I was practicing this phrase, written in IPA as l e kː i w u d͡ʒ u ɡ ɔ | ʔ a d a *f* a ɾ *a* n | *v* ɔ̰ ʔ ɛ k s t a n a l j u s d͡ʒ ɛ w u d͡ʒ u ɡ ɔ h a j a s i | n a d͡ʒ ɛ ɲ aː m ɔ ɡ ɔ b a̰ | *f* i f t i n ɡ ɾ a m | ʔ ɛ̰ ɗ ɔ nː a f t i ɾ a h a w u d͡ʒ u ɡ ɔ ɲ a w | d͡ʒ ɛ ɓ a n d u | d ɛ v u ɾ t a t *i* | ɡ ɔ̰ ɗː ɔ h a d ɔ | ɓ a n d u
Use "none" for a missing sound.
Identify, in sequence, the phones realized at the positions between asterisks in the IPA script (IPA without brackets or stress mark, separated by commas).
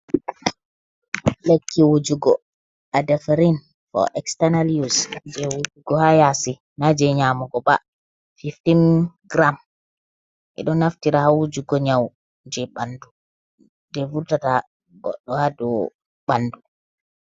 f, i, f, f, a